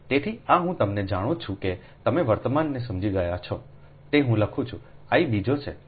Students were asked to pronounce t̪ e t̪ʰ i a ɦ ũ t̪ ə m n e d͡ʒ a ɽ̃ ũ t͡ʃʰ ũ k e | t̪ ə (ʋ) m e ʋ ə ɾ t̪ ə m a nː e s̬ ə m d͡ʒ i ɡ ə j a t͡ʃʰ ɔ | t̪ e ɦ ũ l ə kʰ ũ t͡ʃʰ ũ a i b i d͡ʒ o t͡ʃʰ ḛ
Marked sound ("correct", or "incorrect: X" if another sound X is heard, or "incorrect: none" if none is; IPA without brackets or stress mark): incorrect: none